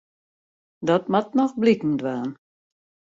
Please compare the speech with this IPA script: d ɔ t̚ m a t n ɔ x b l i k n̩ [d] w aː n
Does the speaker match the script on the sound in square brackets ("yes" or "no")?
yes